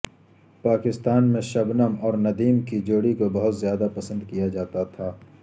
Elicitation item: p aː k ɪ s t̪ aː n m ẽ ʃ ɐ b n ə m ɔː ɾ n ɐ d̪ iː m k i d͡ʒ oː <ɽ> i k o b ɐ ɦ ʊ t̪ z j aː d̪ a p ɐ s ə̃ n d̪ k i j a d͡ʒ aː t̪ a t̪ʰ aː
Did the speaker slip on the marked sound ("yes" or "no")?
no